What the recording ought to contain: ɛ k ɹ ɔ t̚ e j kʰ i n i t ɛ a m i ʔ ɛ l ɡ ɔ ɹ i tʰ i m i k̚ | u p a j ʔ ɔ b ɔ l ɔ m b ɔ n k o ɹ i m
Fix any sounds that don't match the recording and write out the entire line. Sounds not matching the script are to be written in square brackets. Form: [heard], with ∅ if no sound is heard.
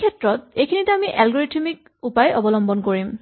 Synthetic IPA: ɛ [t] ɹ ɔ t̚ e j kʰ i n i t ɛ a m i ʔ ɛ l ɡ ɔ ɹ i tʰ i m i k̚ | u p a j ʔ ɔ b ɔ l ɔ m b ɔ n k o ɹ i m